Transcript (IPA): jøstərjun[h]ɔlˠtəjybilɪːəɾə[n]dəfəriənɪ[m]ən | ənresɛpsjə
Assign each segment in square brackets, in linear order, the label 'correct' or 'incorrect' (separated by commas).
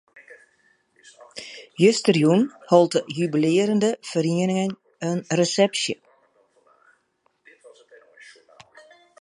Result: correct, correct, incorrect